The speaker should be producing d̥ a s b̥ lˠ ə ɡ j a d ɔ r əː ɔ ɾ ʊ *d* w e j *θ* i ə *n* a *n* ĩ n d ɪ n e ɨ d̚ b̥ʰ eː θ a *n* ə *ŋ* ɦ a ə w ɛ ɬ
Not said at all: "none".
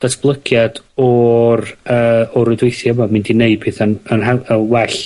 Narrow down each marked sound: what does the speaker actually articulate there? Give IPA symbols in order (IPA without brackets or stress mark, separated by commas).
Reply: d, θ, m, m, n, n